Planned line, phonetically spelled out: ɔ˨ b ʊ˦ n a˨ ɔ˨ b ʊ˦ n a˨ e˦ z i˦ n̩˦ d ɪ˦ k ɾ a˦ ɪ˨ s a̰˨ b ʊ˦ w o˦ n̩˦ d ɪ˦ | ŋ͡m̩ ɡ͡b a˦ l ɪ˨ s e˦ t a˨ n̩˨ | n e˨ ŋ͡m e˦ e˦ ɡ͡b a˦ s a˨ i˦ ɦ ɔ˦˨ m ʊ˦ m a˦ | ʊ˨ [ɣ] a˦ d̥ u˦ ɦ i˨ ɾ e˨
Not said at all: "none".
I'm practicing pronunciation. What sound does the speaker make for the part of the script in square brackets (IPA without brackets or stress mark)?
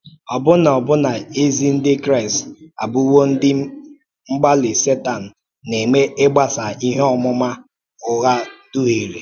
ɣ